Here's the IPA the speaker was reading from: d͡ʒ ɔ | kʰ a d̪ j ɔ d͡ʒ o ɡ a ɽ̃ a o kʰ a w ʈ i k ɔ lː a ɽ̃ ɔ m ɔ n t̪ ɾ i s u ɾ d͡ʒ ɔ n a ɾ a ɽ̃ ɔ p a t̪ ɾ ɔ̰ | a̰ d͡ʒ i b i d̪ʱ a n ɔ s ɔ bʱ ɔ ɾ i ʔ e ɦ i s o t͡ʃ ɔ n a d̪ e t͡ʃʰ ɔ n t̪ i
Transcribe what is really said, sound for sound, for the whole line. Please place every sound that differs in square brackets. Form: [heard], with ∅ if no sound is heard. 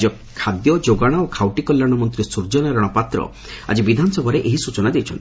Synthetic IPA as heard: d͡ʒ ɔ | kʰ a d̪ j ɔ d͡ʒ o ɡ a ɽ̃ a o kʰ a w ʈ i k ɔ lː a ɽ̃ ɔ m ɔ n t̪ ɾ i s u ɾ d͡ʒ ɔ n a ɾ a ɽ̃ ɔ p a t̪ ɾ ɔ̰ | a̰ d͡ʒ i b i d̪ʱ a n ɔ s ɔ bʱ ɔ ɾ [e] ʔ e ɦ i s [u] t͡ʃ ɔ n a d̪ e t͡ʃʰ ɔ n t̪ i